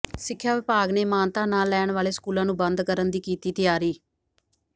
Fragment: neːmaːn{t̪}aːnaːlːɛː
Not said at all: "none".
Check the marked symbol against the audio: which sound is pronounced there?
t̪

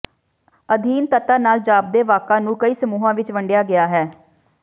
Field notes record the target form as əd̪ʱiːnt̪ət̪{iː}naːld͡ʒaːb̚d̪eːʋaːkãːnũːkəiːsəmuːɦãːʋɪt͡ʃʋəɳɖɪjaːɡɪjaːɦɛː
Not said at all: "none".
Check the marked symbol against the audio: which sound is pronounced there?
aː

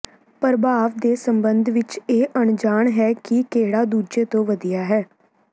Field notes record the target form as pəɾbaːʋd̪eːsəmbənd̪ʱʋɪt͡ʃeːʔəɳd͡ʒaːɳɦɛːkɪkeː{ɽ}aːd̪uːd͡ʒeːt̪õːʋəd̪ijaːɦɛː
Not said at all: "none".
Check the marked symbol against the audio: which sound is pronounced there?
ɽ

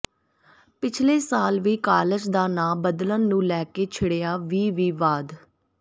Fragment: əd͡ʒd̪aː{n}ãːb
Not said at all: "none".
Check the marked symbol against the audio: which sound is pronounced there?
n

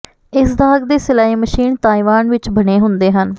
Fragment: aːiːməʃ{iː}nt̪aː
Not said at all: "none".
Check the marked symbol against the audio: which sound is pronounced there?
iː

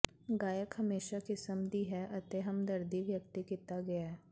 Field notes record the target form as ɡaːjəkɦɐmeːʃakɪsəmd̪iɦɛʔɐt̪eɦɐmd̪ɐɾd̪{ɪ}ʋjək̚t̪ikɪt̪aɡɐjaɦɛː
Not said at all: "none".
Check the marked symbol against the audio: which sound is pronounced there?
i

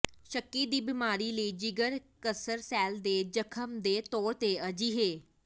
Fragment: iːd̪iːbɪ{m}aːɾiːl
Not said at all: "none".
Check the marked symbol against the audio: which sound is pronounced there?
m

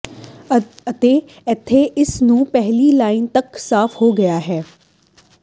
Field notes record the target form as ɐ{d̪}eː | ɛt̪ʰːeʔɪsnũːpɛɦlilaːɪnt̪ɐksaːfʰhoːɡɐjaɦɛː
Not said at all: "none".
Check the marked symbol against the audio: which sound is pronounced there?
t̪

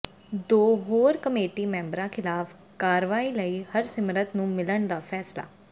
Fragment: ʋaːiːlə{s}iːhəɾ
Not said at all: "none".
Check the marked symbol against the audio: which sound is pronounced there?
none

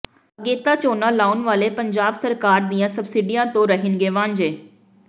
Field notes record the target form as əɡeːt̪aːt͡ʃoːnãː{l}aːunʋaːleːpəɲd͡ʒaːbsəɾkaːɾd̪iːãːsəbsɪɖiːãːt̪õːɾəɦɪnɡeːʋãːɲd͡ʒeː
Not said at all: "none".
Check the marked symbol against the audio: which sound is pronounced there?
l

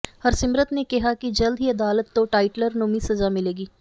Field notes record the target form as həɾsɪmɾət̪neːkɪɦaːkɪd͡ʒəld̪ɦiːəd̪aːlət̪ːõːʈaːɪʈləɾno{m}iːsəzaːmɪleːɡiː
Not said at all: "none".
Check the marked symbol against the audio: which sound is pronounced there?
m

